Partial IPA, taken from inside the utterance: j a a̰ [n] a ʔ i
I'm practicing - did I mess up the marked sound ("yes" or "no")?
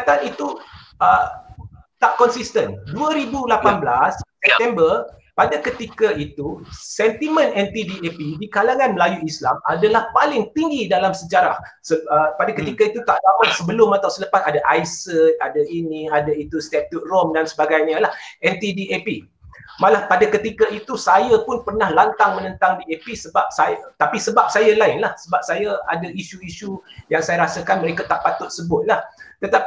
yes